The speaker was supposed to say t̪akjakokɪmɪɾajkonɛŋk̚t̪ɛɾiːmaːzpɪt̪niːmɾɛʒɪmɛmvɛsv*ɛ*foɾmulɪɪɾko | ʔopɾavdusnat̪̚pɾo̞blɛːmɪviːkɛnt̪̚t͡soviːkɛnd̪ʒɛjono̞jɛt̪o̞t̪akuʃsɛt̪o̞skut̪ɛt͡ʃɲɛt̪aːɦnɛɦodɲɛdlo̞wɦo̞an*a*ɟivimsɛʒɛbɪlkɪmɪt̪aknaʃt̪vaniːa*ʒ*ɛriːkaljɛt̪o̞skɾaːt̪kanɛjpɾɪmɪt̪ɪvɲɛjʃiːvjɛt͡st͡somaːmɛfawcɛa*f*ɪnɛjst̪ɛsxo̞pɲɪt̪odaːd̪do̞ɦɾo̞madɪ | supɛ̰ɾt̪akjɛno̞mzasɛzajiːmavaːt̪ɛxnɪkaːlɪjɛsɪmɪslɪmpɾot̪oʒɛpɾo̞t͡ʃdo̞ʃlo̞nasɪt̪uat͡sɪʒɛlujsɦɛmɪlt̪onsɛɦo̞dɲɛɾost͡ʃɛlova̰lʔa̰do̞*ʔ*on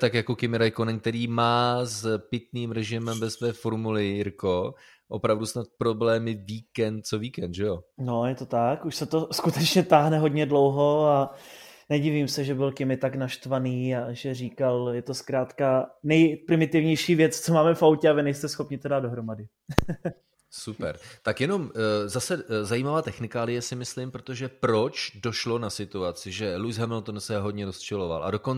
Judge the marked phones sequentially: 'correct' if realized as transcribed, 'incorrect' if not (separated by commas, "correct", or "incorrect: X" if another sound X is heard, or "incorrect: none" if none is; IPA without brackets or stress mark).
incorrect: ɛː, incorrect: ɛ, correct, incorrect: v, incorrect: k